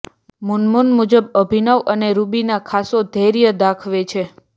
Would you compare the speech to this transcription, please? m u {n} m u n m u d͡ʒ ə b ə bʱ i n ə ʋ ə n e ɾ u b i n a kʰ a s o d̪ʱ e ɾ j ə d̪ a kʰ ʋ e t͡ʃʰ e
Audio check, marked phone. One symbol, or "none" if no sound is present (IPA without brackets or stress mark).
n